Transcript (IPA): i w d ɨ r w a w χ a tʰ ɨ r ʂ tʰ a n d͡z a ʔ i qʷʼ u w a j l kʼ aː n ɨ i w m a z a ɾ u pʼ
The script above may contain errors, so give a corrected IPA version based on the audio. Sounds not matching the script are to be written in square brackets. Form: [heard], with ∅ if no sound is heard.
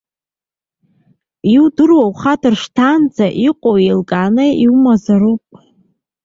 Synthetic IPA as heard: i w d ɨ r w a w χ a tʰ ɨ r ʂ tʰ a n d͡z a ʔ i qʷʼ [o] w [e] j l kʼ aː n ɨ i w m a z a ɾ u pʼ